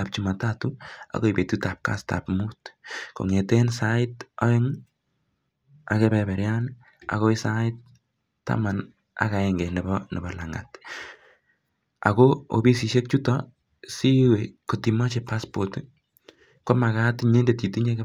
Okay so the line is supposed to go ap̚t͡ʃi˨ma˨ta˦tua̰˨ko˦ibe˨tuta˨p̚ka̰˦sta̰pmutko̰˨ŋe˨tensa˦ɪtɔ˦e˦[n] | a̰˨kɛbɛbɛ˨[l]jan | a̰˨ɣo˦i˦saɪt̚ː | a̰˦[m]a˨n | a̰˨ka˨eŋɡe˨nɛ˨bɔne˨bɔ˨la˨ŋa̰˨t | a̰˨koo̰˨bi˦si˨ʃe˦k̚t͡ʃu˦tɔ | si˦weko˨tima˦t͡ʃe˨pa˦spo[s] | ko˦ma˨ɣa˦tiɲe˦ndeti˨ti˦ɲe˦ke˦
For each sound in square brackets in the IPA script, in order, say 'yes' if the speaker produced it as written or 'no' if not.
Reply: no, no, yes, no

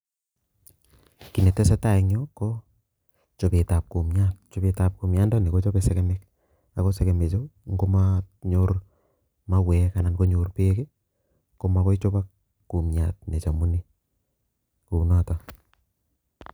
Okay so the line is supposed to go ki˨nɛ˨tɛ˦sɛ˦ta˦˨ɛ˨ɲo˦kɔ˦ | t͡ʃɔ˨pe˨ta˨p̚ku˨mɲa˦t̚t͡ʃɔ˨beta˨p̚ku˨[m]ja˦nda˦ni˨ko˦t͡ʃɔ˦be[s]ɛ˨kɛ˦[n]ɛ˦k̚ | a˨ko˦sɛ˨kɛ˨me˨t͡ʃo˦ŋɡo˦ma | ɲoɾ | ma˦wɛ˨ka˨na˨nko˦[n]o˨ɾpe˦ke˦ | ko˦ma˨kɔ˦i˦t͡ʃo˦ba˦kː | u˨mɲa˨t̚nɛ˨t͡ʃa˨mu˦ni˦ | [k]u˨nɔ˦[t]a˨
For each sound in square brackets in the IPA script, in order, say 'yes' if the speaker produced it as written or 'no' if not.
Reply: yes, yes, no, no, yes, yes

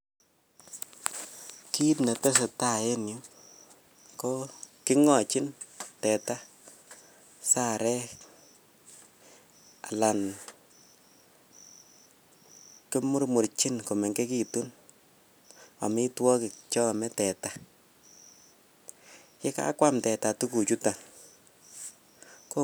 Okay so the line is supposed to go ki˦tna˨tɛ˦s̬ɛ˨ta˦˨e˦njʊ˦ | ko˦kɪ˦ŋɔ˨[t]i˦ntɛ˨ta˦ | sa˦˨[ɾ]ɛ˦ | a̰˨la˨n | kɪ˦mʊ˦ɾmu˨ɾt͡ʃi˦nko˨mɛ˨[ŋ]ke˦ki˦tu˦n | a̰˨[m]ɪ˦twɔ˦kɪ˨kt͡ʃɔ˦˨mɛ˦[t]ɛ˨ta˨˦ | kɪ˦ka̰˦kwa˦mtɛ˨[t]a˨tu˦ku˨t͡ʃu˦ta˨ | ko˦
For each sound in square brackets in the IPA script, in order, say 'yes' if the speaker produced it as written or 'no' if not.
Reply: no, yes, yes, yes, yes, yes

